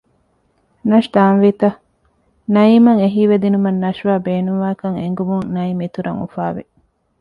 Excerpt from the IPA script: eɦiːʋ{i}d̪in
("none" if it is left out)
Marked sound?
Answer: e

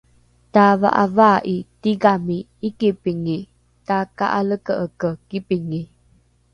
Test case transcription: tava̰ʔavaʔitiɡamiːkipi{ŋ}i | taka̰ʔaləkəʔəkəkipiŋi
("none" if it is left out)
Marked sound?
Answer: ŋ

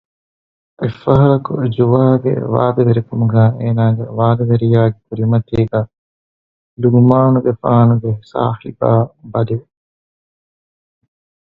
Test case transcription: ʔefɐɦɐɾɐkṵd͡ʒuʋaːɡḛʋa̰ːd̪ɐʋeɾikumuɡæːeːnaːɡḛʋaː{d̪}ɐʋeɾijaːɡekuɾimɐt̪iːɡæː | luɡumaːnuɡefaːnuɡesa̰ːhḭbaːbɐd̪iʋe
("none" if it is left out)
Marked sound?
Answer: d̪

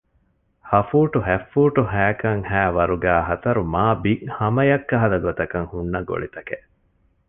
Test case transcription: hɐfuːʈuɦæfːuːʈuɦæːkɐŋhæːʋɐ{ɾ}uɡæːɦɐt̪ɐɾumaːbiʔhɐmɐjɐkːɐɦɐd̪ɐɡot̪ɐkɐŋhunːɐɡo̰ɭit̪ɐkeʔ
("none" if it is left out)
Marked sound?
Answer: ɾ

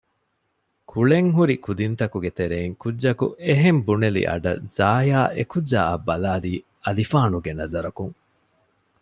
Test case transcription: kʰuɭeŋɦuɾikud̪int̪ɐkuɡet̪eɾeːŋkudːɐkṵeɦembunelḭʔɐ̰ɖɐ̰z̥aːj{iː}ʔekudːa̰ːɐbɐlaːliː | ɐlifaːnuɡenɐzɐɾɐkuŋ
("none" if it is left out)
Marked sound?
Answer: aː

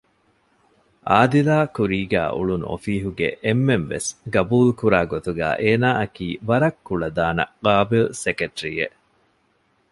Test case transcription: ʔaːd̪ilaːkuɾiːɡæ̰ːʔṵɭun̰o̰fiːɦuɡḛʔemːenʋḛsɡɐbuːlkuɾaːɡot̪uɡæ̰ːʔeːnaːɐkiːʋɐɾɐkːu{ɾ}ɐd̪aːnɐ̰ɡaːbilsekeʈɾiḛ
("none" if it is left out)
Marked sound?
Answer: ɭ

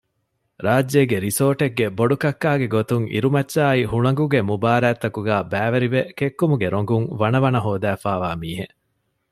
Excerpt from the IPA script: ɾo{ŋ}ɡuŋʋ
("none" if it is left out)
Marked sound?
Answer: ŋ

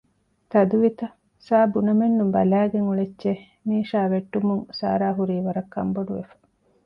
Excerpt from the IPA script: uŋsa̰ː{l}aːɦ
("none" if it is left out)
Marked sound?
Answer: ɾ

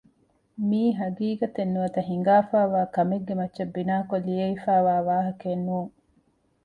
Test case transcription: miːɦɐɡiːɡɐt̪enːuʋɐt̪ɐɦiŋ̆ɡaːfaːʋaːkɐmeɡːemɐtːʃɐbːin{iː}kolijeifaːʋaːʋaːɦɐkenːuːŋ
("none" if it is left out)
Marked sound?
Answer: aː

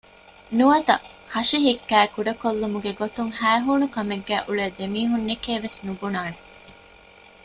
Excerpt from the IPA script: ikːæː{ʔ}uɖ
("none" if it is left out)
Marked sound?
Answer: k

